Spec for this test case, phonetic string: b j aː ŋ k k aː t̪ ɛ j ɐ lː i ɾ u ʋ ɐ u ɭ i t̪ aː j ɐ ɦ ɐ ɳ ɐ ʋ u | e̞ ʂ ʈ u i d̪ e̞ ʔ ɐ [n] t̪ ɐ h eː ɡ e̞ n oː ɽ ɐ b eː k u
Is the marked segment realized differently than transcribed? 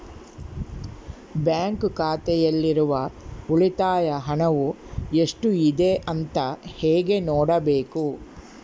no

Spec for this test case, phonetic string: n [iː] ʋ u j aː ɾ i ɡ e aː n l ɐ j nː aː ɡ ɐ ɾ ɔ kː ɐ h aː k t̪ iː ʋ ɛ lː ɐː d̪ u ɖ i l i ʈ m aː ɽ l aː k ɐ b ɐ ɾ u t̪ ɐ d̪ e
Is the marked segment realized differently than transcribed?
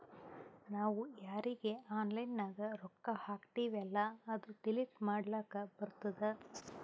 yes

